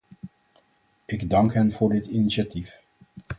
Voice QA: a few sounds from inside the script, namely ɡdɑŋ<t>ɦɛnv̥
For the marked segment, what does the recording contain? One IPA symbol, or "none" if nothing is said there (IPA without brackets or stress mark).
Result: k